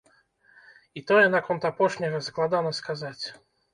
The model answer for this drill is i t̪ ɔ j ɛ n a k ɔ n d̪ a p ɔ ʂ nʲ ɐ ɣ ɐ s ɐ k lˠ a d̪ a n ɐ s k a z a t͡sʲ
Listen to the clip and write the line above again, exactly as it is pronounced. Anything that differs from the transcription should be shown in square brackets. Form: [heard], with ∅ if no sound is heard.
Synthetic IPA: i t̪ ɔ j ɛ n a k ɔ n [t̪] a p ɔ ʂ nʲ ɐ ɣ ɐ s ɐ k lˠ a d̪ a n ɐ s k a z a t͡sʲ